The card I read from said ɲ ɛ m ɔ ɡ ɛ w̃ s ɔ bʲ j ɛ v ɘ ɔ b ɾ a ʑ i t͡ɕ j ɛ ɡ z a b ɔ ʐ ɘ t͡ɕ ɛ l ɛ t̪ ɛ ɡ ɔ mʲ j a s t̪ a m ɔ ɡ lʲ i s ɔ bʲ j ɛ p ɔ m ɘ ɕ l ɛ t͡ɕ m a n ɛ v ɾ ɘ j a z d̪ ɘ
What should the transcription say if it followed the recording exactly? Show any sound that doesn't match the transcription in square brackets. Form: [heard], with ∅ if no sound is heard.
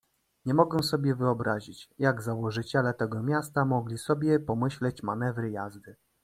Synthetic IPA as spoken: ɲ ɛ m ɔ ɡ ɛ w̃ s ɔ bʲ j ɛ v ɘ ɔ b ɾ a ʑ i t͡ɕ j [a] ɡ z a [w] ɔ ʐ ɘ t͡ɕ ɛ l ɛ t̪ ɛ ɡ ɔ mʲ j a s t̪ a m ɔ ɡ lʲ i s ɔ bʲ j ɛ p ɔ m ɘ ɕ l ɛ t͡ɕ m a n ɛ v ɾ ɘ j a z d̪ ɘ